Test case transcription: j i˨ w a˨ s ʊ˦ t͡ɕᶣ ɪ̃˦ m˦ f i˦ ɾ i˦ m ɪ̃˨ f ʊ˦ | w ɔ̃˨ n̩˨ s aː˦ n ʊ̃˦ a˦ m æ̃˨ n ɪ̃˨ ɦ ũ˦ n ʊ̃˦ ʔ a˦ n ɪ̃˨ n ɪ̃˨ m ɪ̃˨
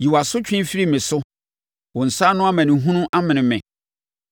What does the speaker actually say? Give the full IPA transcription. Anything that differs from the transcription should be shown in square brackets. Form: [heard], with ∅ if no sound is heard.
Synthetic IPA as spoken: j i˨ w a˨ s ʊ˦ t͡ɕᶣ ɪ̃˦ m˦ f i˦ ɾ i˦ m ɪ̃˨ [s] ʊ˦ | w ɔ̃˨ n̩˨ s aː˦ n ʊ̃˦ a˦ m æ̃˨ n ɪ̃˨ ɦ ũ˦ n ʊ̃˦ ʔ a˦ [m] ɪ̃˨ n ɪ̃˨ m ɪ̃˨